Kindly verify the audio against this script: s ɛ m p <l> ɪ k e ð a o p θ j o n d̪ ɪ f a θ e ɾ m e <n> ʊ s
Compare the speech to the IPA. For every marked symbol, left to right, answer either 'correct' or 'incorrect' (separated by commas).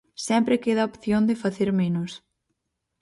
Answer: incorrect, correct